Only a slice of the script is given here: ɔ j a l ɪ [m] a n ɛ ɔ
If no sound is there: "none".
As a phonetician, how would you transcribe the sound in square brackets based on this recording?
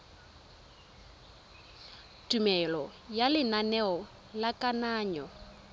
n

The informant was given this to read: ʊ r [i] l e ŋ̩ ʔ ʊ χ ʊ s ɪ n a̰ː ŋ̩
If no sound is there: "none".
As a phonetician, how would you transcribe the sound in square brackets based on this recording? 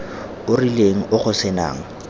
i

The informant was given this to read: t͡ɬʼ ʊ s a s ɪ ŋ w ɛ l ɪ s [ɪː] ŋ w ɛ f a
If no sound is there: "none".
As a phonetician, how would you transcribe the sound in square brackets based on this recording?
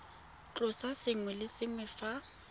ɪ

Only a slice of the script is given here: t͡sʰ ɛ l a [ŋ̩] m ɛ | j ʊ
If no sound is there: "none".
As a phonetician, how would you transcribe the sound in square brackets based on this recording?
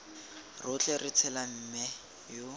m̩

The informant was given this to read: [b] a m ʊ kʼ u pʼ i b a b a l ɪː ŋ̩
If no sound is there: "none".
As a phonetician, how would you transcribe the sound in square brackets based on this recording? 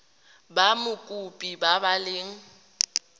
b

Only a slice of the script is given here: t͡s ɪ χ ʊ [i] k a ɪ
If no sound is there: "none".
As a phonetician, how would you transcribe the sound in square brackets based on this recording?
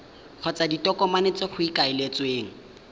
i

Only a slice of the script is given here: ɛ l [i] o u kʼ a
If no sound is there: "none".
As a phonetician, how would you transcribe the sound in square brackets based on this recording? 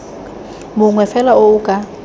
a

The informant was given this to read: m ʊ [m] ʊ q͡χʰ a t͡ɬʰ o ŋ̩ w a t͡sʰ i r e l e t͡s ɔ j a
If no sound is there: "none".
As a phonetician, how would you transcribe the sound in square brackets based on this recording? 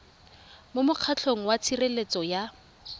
m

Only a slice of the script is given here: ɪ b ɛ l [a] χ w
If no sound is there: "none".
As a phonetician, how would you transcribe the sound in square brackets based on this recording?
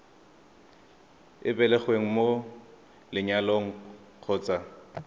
ɛ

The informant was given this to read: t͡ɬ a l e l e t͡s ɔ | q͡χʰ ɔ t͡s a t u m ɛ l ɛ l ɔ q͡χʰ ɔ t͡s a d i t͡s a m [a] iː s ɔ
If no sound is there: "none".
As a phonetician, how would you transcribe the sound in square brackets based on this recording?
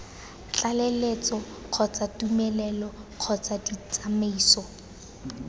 e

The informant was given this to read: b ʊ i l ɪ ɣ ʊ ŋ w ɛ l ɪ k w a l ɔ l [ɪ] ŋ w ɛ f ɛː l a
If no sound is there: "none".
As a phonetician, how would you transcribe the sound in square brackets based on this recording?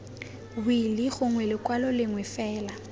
ɪ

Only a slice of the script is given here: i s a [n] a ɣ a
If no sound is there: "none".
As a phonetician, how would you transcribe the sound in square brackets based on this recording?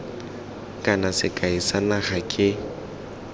n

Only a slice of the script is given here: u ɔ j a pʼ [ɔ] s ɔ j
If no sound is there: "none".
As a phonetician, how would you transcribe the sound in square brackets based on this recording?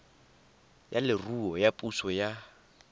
u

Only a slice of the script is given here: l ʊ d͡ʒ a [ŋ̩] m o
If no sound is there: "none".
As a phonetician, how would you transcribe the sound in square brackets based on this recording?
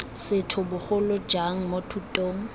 ŋ̩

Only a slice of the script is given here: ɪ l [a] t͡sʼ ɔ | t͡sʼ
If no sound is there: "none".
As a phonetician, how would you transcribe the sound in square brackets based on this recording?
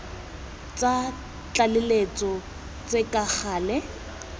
e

